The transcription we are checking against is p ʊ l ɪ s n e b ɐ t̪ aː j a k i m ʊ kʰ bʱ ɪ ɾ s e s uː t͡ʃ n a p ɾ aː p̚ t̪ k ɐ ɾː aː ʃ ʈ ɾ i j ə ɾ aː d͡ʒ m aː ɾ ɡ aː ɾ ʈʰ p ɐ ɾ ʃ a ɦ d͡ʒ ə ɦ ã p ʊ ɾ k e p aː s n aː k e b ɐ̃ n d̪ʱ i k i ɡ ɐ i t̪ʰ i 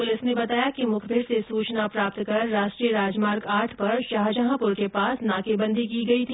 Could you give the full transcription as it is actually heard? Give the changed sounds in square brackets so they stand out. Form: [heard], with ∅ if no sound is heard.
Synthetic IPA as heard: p ʊ l ɪ s n e b ɐ t̪ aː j a k i m ʊ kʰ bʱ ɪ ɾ s e s uː t͡ʃ n a p ɾ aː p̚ t̪ k ɐ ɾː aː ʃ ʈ ɾ i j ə ɾ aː d͡ʒ m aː ɾ ɡ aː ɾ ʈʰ p ɐ ɾ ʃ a ɦ d͡ʒ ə ɦ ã p ʊ ɾ k e p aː s n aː k e b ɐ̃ n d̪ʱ i k i ɡ ɐ i t̪ʰ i